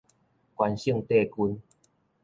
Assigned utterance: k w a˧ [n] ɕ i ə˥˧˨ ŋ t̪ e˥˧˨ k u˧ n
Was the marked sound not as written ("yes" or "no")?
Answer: no